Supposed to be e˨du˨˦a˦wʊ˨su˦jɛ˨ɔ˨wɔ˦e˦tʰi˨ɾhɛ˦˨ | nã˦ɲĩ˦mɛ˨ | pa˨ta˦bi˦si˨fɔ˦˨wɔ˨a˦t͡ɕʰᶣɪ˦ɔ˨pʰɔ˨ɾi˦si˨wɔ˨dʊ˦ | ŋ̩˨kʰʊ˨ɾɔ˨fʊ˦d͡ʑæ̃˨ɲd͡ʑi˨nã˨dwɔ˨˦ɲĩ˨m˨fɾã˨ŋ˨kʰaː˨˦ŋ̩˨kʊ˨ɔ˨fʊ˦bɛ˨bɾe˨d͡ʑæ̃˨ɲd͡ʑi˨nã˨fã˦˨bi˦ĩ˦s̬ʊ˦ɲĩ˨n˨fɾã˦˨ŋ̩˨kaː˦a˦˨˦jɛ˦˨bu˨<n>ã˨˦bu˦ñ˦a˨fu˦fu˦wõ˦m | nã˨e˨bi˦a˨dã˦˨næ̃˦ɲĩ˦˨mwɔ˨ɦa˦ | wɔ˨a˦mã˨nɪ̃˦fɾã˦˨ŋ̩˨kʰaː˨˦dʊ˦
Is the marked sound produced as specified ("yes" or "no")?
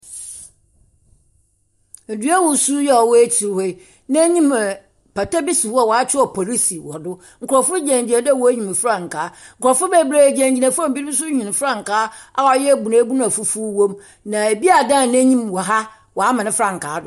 yes